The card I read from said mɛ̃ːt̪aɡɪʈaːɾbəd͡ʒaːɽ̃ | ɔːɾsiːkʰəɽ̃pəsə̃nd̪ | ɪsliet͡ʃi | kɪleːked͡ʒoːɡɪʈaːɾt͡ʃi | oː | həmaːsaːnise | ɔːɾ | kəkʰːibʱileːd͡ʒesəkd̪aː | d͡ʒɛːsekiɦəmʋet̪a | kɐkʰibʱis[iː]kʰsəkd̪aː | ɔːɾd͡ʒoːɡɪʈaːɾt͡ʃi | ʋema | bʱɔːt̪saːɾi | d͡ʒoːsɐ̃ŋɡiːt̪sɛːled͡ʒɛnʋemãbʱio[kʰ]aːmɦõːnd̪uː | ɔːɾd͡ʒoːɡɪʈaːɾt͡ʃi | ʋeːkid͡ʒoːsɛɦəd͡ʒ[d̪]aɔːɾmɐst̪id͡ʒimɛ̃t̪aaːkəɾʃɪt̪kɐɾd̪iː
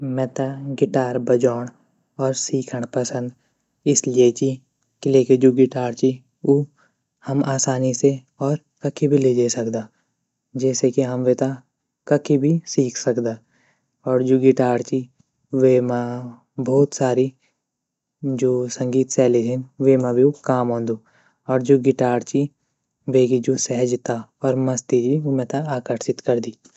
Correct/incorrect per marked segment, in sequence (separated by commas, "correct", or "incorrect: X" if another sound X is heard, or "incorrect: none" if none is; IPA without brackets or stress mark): correct, incorrect: k, incorrect: t̪